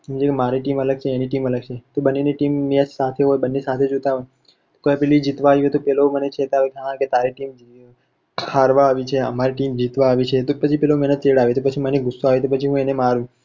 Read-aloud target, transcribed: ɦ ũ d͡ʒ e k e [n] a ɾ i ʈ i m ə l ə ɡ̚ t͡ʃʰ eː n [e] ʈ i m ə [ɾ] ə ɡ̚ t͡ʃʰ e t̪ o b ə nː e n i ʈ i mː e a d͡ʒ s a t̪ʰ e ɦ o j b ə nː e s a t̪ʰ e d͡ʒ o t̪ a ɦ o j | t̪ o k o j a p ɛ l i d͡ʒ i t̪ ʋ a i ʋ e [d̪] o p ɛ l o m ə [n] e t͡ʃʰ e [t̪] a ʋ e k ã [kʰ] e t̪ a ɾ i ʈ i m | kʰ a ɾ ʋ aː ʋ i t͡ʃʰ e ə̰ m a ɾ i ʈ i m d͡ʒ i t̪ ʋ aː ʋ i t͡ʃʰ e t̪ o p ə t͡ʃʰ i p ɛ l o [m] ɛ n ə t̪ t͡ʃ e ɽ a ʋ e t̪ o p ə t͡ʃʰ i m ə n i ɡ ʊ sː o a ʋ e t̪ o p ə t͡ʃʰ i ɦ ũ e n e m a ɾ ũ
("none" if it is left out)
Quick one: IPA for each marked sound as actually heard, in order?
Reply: m, i, l, t̪, n, t̪, k, m

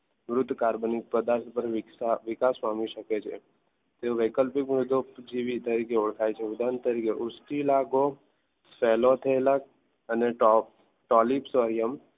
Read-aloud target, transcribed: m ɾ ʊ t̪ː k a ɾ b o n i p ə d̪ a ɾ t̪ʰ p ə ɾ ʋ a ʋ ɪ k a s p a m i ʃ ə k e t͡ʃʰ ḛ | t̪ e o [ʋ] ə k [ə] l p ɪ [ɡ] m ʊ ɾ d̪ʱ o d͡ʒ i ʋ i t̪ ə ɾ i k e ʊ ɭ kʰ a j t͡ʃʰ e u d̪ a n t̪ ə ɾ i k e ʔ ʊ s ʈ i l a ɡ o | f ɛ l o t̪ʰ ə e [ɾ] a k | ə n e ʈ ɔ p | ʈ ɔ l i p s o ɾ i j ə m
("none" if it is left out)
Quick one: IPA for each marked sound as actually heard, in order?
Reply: ʋ, ə, k, l

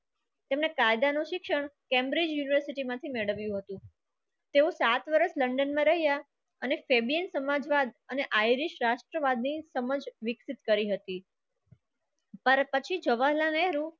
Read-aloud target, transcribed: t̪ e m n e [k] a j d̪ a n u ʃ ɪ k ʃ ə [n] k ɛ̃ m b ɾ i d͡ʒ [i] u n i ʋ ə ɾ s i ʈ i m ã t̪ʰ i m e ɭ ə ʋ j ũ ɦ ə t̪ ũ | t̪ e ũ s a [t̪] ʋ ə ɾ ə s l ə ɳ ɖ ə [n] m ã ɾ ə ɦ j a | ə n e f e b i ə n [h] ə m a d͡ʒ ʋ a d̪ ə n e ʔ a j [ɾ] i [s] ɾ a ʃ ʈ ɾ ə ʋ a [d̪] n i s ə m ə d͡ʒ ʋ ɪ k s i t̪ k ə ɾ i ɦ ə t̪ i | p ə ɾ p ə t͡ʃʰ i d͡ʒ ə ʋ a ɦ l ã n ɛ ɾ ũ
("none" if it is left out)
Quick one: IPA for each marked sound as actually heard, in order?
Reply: k, ɳ, j, t̪, n, s, ɾ, ʃ, d̪

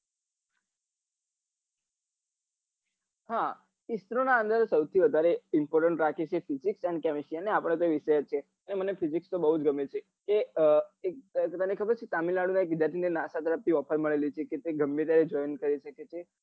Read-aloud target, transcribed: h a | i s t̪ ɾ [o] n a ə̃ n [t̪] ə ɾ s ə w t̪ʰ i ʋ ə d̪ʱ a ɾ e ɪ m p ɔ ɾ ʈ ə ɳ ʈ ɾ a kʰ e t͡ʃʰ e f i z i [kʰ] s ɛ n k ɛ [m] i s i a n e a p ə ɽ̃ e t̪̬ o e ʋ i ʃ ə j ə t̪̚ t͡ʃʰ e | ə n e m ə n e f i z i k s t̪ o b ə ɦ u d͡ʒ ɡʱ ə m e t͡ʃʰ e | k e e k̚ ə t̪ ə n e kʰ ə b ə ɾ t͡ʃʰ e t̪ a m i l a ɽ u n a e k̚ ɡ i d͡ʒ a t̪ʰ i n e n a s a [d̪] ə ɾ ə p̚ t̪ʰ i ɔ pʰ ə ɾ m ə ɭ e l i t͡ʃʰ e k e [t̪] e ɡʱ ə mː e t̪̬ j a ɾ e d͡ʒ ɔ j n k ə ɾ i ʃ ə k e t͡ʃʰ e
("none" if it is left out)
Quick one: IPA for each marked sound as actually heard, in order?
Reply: o, d̪, k, m, t̪, t̪

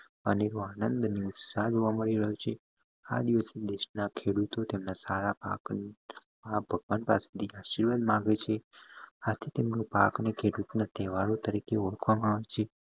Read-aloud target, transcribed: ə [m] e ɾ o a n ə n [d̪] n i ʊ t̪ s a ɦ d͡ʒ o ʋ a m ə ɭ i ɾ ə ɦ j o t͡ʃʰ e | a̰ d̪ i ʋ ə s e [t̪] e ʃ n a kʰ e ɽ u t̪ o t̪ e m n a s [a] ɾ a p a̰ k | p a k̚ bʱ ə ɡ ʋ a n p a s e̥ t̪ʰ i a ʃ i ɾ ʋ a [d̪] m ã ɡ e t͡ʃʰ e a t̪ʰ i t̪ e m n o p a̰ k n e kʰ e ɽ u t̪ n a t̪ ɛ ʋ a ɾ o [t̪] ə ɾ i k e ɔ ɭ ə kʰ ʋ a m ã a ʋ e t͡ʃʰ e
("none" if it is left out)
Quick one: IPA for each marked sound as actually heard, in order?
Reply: n, d̪, d̪, a, d̪, t̪

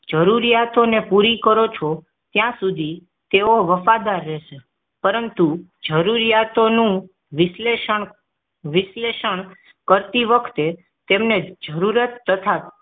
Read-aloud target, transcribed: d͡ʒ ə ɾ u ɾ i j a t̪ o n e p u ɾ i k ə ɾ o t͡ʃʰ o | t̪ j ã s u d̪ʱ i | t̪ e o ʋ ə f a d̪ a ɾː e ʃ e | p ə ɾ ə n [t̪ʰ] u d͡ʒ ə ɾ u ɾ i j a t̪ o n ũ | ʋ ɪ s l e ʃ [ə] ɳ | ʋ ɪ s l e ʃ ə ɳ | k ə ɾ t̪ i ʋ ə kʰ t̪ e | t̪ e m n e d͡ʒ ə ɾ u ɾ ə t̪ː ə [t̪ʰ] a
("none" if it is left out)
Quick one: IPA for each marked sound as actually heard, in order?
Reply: t̪, ə, t̪ʰ

